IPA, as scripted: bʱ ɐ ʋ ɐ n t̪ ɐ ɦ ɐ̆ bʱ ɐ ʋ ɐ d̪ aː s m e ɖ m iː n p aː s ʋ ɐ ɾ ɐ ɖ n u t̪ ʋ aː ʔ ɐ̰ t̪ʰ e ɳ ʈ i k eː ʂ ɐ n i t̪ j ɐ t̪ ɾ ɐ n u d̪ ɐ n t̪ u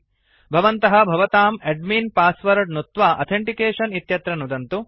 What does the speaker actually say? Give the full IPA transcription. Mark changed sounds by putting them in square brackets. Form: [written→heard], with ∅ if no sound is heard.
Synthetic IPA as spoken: bʱ ɐ ʋ ɐ n t̪ ɐ ɦ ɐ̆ bʱ ɐ ʋ ɐ [d̪→t̪] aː [s→∅] m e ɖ m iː n p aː s ʋ ɐ ɾ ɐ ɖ n u t̪ ʋ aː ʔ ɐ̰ t̪ʰ e ɳ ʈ i k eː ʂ ɐ n i t̪ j ɐ t̪ ɾ ɐ n u d̪ ɐ n t̪ u